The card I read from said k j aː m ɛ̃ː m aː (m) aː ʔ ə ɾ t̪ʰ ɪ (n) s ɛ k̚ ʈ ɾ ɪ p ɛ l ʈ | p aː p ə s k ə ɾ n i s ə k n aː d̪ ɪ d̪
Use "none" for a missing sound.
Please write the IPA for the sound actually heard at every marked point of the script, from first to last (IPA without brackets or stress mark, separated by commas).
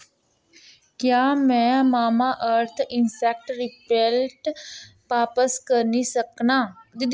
m, n